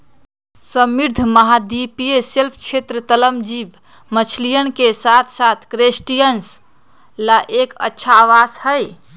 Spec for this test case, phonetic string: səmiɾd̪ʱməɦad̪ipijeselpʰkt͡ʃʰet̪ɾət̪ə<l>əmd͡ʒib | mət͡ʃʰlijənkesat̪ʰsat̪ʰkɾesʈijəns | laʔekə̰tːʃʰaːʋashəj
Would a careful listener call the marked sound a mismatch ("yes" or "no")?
no